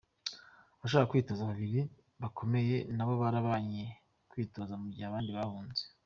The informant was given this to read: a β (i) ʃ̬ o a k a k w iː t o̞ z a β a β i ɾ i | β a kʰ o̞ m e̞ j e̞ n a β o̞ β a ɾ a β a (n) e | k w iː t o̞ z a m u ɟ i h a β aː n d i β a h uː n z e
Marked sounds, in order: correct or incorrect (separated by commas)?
incorrect, incorrect